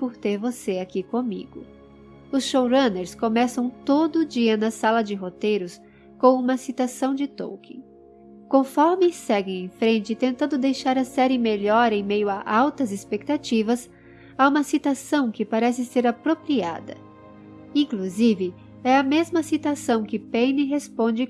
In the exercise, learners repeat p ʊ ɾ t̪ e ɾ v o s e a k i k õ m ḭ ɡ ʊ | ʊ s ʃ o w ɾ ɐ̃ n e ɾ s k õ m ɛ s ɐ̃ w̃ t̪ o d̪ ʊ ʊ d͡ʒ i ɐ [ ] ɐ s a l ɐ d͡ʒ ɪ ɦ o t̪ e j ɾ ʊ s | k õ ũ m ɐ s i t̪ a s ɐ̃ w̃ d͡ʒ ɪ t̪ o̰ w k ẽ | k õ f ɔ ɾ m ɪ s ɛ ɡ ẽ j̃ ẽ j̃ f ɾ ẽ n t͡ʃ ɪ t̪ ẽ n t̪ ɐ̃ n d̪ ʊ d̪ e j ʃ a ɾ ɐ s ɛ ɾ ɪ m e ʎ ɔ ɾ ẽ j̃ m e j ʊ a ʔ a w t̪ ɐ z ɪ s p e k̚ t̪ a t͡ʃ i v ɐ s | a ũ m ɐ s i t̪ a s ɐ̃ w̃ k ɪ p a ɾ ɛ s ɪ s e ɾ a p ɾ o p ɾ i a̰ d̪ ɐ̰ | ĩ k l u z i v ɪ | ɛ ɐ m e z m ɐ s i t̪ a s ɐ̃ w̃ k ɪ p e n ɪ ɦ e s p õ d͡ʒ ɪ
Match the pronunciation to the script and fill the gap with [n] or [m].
n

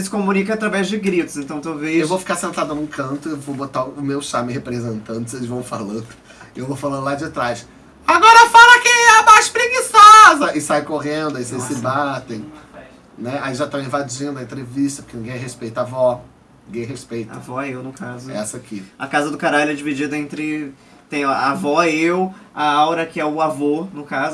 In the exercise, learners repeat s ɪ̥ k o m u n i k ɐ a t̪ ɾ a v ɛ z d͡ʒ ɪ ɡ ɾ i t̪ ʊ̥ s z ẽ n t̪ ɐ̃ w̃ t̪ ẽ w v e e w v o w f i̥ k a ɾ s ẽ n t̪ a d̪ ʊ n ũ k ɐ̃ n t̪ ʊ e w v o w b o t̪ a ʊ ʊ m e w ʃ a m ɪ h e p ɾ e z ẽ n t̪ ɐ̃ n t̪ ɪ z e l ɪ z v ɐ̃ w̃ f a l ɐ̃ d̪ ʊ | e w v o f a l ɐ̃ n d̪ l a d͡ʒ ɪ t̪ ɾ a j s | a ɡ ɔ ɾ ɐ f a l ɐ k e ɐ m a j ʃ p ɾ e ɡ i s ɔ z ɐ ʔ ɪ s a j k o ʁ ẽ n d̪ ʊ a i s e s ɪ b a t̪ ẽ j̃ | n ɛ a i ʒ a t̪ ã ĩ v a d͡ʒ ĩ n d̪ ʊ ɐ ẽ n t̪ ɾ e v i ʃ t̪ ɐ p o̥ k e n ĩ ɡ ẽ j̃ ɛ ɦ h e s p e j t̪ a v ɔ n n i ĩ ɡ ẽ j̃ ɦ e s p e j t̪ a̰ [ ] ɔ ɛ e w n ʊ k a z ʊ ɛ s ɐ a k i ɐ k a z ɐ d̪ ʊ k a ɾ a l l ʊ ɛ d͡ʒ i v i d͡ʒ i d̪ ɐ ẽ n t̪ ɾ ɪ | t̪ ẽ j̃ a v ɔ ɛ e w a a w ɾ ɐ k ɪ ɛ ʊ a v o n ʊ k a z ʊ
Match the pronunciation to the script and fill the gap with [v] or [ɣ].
v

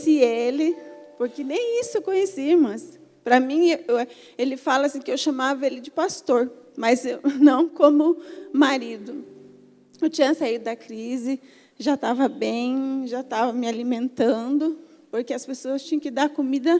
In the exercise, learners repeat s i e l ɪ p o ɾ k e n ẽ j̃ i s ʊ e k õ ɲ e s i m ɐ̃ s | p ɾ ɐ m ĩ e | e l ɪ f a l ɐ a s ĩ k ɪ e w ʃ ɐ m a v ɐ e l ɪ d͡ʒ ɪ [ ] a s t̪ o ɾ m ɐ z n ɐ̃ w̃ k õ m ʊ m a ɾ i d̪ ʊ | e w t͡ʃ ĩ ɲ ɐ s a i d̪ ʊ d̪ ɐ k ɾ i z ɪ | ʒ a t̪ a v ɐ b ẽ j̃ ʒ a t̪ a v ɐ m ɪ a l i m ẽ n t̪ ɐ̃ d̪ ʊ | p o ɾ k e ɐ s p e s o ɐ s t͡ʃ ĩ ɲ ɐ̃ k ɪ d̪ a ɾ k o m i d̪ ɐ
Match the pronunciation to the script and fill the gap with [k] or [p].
p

